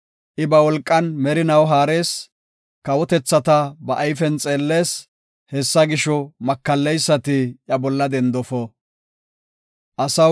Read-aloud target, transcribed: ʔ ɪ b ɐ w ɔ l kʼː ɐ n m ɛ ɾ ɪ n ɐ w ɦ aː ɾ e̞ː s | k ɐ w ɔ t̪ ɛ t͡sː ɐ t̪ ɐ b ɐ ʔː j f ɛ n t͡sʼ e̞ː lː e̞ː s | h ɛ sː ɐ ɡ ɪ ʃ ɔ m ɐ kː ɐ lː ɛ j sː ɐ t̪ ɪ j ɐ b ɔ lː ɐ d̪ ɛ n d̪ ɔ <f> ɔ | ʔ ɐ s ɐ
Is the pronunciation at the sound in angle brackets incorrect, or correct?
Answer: correct